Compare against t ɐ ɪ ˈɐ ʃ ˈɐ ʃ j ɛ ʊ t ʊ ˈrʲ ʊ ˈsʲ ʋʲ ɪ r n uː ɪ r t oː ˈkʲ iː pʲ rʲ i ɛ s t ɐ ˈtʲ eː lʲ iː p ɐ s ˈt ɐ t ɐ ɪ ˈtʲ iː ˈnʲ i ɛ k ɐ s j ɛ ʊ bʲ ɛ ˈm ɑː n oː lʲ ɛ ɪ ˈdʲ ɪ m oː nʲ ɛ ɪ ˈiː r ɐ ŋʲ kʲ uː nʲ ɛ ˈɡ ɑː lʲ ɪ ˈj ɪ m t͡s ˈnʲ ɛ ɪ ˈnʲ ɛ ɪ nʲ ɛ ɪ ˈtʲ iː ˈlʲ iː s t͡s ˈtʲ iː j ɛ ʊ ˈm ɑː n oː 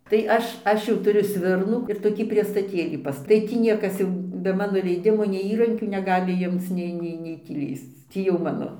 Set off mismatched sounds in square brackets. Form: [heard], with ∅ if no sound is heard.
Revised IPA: t ɐ ɪ ˈɐ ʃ ˈɐ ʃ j ɛ ʊ t ʊ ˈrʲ ʊ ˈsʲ ʋʲ ɪ r n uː ɪ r t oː ˈkʲ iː pʲ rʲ i ɛ s t ɐ ˈtʲ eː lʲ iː p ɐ s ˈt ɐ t ɐ ɪ ˈtʲ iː ˈnʲ i ɛ k ɐ s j ɛ ʊ bʲ ɛ ˈm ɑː n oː lʲ ɛ ɪ ˈdʲ ɪ m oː nʲ ɛ ɪ ˈiː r ɐ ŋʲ kʲ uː nʲ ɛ ˈɡ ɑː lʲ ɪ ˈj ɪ m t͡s ˈnʲ ɛ ɪ ˈnʲ ɛ ɪ nʲ ɛ ɪ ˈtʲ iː ˈlʲ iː s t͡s ˈtʲ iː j ɛ ʊ ˈm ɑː n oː